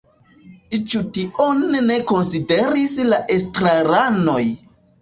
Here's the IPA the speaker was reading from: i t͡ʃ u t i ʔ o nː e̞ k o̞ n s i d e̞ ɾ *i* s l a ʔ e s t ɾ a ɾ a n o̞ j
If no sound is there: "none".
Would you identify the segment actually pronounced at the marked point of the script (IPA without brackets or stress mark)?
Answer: i